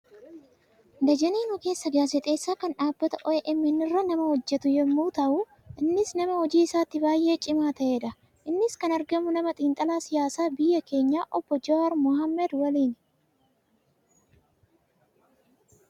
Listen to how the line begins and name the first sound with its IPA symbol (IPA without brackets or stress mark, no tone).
d̪